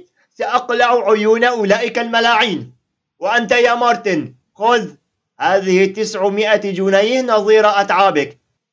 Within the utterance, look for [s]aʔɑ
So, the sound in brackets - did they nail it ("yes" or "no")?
yes